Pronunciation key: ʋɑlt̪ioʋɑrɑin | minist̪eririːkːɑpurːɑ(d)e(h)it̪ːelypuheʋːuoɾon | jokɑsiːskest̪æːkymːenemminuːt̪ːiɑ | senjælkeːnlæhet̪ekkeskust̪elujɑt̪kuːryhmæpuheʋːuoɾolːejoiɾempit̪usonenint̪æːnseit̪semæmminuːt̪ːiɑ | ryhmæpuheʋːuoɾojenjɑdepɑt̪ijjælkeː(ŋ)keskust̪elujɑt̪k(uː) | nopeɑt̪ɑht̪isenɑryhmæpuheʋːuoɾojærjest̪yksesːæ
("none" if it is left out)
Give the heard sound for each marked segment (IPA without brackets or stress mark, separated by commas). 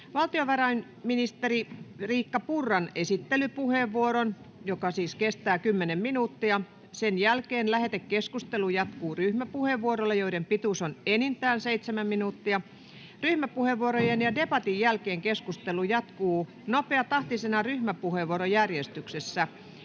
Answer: n, s, ŋ, uː